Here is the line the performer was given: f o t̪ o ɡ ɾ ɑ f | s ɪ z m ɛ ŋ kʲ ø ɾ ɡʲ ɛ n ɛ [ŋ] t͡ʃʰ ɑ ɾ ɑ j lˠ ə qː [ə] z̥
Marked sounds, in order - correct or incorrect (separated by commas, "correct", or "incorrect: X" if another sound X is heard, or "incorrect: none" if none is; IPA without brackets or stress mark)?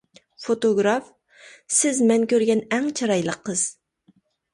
correct, correct